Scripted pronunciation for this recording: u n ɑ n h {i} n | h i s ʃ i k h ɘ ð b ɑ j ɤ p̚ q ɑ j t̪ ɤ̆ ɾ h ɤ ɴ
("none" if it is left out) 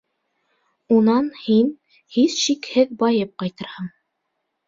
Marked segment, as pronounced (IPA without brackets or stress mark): i